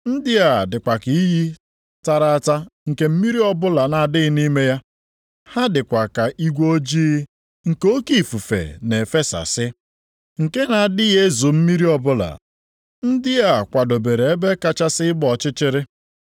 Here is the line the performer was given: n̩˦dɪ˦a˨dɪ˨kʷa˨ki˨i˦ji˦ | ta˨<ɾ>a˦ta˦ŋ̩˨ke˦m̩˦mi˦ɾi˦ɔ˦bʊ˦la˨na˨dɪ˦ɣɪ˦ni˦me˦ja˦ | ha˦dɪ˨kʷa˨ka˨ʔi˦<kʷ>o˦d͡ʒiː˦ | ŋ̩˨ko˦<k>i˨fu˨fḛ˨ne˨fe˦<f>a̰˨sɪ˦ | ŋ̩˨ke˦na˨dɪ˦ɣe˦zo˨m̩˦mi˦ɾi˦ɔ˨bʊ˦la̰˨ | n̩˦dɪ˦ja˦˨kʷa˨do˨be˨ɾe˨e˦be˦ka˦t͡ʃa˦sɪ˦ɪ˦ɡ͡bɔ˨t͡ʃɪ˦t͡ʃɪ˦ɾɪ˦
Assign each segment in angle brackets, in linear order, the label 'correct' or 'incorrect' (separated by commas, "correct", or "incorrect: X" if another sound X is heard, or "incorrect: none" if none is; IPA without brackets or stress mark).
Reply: correct, incorrect: ɡʷ, correct, incorrect: s